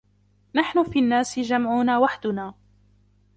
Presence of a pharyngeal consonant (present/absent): present